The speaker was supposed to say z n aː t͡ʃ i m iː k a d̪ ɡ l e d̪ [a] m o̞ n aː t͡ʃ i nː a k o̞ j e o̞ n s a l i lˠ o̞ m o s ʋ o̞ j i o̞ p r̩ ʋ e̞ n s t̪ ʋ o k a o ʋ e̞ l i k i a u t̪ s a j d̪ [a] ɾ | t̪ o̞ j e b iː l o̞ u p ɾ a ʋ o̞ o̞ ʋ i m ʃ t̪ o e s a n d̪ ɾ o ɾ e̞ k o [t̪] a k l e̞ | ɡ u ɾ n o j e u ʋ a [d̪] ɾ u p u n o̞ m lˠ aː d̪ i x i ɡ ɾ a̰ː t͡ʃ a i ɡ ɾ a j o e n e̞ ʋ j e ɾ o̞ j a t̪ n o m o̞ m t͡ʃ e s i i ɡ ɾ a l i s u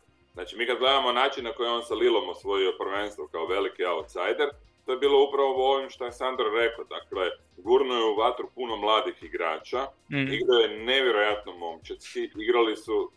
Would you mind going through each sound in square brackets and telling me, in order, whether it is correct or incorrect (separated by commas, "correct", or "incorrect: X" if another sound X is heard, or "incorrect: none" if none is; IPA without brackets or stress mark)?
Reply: correct, incorrect: e, incorrect: d̪, incorrect: t̪